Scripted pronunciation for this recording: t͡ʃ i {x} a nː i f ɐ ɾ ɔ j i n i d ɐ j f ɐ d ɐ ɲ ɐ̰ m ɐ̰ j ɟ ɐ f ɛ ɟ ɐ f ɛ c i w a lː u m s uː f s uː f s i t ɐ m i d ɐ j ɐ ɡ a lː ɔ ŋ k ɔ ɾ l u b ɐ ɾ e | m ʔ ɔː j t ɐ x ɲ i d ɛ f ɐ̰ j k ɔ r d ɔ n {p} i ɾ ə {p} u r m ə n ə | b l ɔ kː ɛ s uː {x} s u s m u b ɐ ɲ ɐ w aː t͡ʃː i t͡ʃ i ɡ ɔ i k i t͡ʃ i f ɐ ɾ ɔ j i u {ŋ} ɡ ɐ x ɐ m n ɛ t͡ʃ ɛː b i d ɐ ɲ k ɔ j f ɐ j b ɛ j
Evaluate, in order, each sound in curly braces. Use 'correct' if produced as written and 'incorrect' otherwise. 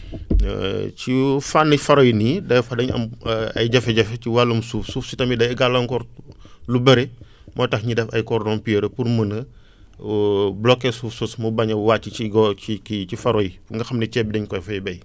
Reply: incorrect: f, correct, correct, incorrect: f, correct

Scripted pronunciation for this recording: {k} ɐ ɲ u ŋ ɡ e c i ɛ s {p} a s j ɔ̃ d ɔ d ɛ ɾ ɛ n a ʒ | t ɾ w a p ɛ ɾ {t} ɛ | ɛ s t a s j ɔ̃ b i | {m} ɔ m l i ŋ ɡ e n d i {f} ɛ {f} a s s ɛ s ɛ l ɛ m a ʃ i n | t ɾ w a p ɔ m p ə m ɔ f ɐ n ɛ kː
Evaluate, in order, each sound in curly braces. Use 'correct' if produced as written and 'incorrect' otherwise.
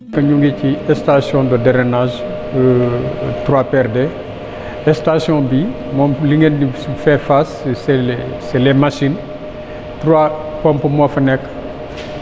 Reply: correct, incorrect: t, incorrect: d, correct, correct, correct

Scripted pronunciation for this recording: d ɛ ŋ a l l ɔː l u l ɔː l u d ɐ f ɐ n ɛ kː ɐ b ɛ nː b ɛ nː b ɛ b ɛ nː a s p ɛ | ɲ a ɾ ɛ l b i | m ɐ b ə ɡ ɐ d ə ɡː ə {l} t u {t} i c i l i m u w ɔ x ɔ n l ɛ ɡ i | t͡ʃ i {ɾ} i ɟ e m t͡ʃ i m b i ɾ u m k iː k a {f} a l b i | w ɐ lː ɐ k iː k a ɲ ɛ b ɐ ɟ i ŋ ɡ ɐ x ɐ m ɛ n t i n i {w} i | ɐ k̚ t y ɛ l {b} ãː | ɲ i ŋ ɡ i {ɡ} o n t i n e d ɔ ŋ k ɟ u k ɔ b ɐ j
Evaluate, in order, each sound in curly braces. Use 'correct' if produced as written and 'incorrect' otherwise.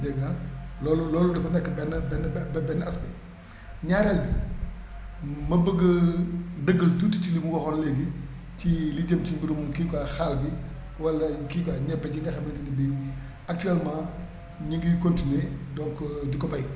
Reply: correct, correct, incorrect: l, incorrect: x, incorrect: b, incorrect: m, incorrect: k

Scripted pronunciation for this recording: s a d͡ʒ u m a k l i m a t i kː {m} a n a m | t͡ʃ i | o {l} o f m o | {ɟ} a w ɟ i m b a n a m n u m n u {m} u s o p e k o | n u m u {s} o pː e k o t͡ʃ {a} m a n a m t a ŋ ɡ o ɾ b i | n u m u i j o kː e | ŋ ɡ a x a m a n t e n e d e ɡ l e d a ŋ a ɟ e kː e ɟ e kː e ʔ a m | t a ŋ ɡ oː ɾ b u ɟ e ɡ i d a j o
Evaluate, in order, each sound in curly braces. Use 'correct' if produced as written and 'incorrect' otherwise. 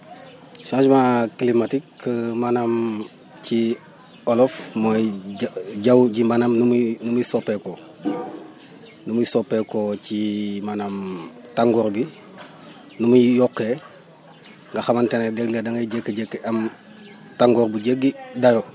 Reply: correct, correct, correct, correct, correct, incorrect: i

